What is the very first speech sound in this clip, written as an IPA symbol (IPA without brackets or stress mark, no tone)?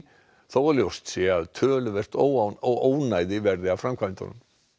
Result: θ